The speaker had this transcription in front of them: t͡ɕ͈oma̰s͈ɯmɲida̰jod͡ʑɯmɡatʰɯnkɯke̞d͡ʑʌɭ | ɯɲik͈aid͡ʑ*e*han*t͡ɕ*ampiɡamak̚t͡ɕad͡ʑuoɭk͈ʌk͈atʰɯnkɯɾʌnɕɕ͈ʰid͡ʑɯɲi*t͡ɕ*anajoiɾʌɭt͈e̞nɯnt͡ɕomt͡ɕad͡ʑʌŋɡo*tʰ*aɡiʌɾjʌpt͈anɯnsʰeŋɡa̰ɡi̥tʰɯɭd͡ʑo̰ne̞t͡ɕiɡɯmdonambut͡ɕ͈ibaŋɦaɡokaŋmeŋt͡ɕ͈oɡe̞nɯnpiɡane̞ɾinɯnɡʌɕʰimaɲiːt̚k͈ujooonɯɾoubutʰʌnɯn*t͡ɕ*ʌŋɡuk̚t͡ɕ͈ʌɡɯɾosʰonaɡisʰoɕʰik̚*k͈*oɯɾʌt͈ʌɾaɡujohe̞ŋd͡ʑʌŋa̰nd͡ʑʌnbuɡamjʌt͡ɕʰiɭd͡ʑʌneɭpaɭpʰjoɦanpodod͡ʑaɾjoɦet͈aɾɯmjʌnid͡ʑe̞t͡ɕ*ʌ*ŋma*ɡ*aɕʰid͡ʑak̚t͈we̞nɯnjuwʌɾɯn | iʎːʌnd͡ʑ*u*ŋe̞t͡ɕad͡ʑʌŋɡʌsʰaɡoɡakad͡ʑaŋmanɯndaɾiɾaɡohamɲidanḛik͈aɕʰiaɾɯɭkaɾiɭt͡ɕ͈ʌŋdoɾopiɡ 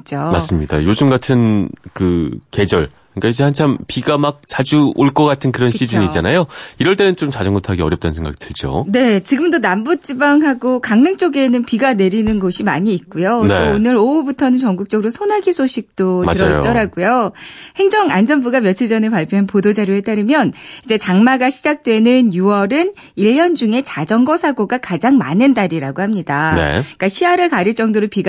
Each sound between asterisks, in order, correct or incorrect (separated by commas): correct, incorrect, correct, correct, correct, incorrect, incorrect, correct, correct